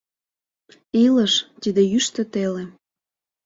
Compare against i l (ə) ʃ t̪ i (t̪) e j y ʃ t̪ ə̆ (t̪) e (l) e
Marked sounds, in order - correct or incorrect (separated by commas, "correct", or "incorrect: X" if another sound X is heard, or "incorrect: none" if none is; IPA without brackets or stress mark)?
correct, incorrect: d̪, correct, correct